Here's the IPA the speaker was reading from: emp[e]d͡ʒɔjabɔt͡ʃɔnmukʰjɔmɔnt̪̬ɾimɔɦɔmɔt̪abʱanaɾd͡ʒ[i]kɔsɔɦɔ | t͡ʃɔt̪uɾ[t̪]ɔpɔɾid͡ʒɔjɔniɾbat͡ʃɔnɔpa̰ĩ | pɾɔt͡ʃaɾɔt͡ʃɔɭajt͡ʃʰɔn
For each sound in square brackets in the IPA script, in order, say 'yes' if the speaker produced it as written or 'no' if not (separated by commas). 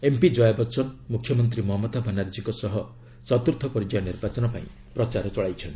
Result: no, yes, no